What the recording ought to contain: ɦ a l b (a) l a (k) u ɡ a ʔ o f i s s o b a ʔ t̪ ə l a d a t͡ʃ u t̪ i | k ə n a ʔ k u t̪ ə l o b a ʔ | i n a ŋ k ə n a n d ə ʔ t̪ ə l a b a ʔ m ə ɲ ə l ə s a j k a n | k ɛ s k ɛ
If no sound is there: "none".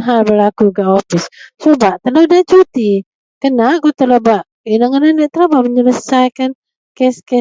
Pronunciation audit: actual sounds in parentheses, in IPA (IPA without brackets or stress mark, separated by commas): ə, k